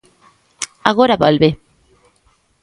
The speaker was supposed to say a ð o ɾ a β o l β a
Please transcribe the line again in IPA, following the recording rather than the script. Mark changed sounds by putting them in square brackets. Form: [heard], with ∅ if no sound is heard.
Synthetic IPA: a [ɣ] o ɾ a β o l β [e]